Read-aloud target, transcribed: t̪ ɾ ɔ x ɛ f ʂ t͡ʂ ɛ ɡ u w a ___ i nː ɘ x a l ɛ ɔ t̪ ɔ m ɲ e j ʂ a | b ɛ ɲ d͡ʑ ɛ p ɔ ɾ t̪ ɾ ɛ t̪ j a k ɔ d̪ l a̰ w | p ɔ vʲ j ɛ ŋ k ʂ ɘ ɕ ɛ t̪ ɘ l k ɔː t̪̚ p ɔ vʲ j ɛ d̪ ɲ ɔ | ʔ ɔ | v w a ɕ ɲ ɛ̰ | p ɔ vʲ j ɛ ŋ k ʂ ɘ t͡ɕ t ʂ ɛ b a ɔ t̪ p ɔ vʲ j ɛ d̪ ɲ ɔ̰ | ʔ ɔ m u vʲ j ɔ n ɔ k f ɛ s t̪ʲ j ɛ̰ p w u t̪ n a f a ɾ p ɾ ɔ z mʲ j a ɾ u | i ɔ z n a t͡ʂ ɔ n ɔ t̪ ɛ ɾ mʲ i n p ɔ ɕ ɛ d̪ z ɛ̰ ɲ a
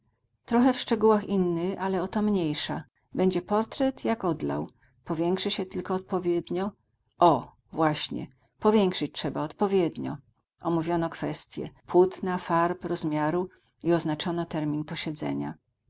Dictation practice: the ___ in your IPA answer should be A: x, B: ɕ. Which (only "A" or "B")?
A